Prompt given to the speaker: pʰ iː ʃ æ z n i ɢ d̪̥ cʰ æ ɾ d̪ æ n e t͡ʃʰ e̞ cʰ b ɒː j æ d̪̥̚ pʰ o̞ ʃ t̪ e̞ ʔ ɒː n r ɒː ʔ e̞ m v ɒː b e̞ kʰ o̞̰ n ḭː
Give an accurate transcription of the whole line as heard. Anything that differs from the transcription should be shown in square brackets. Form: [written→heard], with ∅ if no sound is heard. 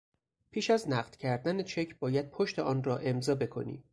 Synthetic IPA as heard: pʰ iː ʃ æ z n [i→æ] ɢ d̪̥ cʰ æ ɾ d̪ æ n e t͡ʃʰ e̞ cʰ b ɒː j æ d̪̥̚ pʰ o̞ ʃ t̪ e̞ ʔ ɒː n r ɒː ʔ e̞ m [v→z] ɒː b e̞ kʰ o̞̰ n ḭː